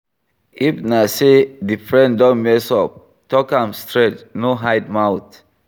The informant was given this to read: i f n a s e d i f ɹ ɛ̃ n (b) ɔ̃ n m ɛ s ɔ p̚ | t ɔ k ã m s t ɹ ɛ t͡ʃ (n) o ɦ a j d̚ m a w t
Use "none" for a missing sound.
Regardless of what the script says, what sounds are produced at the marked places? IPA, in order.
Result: d, n

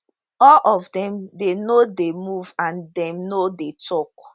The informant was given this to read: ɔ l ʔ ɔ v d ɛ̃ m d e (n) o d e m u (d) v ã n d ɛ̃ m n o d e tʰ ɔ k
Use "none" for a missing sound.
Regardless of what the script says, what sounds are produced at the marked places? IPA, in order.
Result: n, none

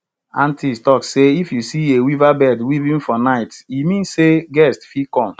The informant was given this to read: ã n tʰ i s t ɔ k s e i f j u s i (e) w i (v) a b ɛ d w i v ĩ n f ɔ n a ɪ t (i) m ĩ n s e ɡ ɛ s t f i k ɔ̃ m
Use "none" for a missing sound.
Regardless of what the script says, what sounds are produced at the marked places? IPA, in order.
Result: e, v, i

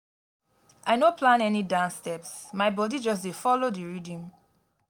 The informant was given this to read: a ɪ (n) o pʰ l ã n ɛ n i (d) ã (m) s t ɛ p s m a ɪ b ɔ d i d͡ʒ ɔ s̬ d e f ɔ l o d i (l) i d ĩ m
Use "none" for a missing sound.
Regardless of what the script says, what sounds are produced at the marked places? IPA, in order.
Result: n, d, n, ɹ

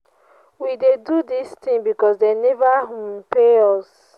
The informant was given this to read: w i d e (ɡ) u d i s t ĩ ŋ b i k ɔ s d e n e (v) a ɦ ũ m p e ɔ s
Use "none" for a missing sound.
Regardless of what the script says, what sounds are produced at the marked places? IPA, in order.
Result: d, v

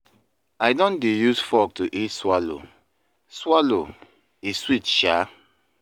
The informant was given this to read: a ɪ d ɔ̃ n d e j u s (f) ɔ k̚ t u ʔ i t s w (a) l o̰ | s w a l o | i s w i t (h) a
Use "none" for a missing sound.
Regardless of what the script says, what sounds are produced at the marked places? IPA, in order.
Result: f, a, ʃ

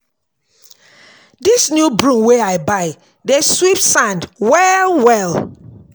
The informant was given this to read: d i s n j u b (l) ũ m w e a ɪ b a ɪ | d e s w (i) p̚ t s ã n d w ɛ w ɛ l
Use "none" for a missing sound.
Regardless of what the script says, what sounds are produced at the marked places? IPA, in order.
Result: ɹ, i

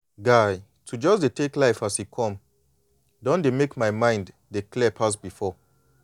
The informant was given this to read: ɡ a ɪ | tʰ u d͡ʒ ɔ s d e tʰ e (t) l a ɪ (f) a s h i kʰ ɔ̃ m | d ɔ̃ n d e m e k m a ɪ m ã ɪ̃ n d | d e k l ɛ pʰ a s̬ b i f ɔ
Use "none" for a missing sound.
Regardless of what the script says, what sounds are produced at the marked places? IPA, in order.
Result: k, f

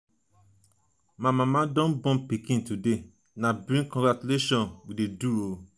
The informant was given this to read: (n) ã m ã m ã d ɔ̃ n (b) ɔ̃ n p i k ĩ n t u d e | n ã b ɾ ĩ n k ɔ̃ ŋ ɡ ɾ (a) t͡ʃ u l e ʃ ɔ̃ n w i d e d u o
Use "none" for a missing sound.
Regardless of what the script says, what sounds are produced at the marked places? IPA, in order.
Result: m, b, a

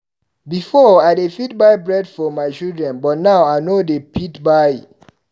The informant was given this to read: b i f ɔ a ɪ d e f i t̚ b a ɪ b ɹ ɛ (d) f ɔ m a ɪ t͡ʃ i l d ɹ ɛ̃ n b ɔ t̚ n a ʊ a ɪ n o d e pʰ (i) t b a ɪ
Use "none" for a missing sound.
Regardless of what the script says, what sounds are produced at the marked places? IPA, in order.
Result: d, i

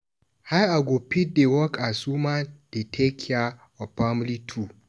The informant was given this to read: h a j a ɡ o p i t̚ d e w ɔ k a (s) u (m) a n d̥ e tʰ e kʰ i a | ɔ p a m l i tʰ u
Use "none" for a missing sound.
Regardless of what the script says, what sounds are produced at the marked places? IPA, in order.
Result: s, m

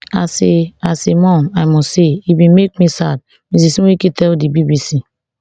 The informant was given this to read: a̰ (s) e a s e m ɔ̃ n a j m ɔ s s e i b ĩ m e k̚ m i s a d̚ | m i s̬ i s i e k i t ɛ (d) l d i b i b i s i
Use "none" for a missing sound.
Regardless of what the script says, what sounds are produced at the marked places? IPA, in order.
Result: s, none

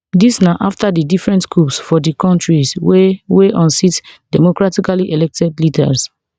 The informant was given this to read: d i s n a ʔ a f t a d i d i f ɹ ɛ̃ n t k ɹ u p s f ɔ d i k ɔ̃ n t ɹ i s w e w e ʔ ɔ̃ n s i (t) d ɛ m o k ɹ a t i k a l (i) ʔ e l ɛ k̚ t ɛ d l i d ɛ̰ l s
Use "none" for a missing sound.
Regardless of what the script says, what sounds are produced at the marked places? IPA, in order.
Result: t, i

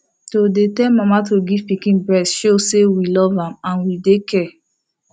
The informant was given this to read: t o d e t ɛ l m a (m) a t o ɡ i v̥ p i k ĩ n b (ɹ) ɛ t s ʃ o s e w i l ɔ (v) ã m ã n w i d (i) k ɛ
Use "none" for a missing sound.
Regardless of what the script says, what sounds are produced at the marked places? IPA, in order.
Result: m, ɹ, v, e

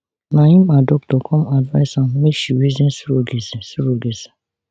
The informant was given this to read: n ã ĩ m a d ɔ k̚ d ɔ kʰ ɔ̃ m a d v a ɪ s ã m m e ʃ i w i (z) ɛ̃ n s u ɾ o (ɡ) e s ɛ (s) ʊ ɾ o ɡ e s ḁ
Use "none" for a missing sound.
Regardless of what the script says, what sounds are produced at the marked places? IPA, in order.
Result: z, ɡ, s

